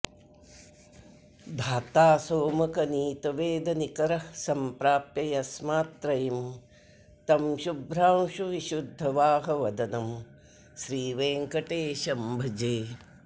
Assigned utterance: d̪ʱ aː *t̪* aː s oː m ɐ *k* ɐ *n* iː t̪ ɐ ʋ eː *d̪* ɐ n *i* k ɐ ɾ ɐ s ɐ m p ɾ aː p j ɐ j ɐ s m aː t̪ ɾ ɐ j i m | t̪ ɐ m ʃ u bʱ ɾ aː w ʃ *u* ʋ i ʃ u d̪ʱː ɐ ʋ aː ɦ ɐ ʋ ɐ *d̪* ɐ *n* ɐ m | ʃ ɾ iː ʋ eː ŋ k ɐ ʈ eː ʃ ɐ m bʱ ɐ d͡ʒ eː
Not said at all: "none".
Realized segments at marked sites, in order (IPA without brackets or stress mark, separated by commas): t̪, k, n, d̪, i, u, d̪, n